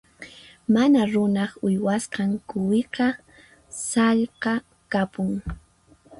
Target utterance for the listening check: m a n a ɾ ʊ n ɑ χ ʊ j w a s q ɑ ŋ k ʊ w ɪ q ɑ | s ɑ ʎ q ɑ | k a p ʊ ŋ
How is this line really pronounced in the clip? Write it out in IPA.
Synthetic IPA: m a n a ɾ ʊ n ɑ χ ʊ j w a s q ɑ ŋ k ʊ w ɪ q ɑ | s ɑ ʎ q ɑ | k a p ʊ ŋ

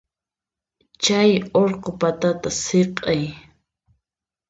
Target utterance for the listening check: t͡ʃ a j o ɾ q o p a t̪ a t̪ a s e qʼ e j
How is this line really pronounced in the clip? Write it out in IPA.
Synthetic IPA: t͡ʃ a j o ɾ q o p a t̪ a t̪ a s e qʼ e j

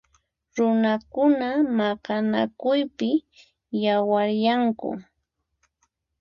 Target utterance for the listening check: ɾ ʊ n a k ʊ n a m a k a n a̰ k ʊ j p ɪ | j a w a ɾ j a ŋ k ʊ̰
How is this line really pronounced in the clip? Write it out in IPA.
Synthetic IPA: ɾ ʊ n a k ʊ n a m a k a n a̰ k ʊ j p ɪ | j a w a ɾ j a ŋ k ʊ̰

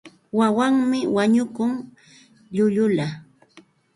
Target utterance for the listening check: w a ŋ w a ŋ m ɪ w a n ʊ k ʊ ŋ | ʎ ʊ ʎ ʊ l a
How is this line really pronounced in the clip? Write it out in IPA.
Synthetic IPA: w a w a ŋ m ɪ w a ɲ ʊ k ʊ ŋ | ʎ ʊ ʎ ʊ l a

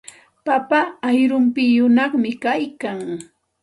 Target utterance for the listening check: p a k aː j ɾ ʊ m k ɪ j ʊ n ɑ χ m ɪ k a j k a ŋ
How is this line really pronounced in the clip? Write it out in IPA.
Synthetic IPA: p a p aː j ɾ ʊ m p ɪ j ʊ n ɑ χ m ɪ k a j k a ŋ

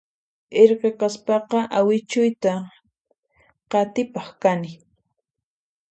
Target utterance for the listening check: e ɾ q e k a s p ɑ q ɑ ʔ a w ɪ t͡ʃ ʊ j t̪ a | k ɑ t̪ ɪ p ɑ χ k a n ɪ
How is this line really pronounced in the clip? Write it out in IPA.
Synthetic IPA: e ɾ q e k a s p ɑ q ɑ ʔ a w ɪ t͡ʃ ʊ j t̪ a | q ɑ t̪ ɪ p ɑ χ k a n ɪ

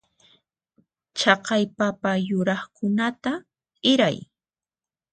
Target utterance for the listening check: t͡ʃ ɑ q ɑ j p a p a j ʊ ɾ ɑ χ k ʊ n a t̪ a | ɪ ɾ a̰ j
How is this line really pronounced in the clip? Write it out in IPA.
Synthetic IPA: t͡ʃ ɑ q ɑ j p a p a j ʊ ɾ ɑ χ k ʊ n a t̪ a | ɪ ɾ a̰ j

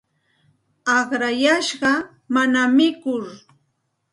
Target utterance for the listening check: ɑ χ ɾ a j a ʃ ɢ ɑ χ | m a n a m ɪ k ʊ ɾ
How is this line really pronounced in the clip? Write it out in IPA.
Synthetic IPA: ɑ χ ɾ a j a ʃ ɢ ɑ | m a n a m ɪ k ʊ ɾ

